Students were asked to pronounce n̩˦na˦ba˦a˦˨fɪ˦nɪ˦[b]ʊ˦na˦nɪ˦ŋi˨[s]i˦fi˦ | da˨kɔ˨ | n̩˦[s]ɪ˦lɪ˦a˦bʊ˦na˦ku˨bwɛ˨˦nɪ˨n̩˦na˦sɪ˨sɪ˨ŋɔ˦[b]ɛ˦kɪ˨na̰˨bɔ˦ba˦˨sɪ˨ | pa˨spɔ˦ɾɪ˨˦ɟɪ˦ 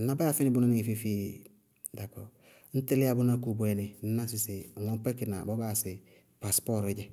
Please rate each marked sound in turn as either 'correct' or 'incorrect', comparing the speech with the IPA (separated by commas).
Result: correct, incorrect, incorrect, incorrect